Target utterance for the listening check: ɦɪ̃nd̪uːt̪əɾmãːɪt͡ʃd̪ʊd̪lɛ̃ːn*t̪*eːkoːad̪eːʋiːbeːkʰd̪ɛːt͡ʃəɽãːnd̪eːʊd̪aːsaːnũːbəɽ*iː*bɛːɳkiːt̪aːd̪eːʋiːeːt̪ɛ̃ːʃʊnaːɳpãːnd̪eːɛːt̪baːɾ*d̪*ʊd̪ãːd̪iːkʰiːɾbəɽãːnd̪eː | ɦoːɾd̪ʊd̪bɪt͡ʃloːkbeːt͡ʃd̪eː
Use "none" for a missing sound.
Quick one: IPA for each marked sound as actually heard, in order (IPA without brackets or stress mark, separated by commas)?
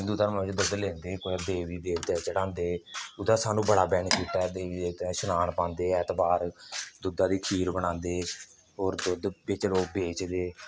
d̪, aː, d̪